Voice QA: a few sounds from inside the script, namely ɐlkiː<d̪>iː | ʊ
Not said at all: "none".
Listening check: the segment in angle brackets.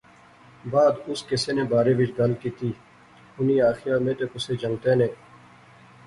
t̪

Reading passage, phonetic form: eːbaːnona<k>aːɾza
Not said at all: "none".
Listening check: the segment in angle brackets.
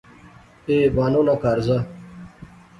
k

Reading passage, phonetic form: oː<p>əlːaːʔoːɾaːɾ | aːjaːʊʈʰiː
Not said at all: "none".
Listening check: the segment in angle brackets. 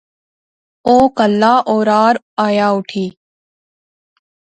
k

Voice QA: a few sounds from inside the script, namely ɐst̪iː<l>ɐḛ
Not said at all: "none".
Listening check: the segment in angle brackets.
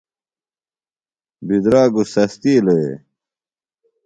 l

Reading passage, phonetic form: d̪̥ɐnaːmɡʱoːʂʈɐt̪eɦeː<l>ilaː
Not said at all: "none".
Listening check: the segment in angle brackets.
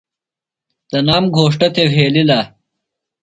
l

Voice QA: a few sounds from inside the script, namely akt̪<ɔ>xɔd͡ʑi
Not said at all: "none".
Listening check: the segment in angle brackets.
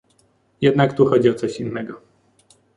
u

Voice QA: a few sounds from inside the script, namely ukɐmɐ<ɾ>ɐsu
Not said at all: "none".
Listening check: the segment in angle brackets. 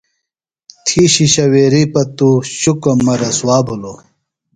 ɾ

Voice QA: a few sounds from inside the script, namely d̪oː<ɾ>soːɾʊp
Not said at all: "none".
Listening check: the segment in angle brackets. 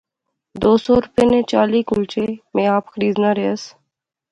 none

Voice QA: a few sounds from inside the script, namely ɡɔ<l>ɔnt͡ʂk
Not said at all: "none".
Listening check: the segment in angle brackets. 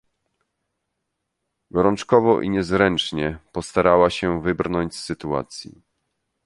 ɾ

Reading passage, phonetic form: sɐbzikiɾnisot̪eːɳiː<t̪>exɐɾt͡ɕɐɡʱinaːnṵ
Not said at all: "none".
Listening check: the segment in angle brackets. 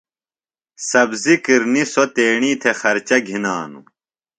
t̪ʰ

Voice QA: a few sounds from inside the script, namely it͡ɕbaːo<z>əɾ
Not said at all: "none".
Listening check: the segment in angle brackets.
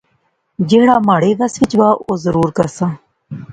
z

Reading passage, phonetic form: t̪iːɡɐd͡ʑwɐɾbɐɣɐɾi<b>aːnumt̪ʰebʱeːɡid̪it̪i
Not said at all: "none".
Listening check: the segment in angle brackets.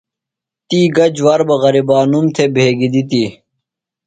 b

